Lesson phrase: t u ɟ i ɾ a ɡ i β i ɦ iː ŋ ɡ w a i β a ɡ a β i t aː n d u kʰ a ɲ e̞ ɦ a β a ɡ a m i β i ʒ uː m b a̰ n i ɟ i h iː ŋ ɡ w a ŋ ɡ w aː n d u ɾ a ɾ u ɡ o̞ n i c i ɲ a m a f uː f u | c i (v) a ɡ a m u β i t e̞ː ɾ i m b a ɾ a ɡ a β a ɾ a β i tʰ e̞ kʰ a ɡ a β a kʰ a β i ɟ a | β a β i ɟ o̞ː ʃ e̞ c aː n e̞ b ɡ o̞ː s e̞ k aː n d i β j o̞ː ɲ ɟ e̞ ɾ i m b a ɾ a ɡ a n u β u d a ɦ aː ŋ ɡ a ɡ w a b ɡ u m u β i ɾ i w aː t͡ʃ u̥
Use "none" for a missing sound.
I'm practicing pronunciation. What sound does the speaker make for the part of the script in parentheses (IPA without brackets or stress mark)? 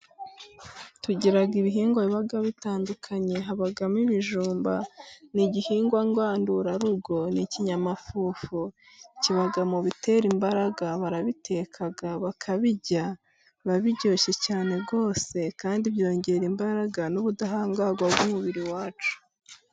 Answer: β